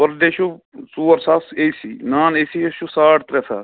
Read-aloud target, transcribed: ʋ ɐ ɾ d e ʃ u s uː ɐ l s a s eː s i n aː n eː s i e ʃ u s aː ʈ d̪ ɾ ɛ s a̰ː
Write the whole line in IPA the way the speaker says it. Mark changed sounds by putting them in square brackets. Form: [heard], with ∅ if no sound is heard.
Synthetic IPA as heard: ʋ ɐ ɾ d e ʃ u s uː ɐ [ɾ] s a s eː s i n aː n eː s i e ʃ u s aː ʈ [t̪] ɾ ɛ s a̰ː